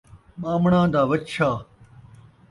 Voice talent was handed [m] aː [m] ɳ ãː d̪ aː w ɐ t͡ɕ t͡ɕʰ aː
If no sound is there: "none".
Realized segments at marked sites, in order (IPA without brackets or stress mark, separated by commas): m, m